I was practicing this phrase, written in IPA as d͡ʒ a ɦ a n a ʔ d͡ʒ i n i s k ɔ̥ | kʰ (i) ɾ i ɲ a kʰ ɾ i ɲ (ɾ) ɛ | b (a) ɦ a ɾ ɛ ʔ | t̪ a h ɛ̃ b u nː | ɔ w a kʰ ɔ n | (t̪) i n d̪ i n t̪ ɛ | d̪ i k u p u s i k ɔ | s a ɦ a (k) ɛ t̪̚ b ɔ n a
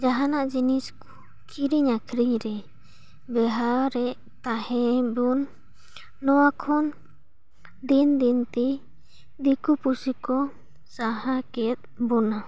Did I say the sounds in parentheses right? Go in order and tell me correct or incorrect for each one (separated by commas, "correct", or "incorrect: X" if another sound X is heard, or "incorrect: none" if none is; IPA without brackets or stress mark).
correct, correct, incorrect: ɛ, incorrect: d̪, correct